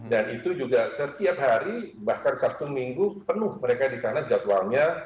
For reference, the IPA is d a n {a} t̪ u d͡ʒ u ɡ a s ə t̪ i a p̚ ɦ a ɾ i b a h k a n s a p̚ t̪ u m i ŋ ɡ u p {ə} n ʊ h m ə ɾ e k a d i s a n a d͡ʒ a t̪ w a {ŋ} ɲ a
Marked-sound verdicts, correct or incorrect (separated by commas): incorrect, correct, correct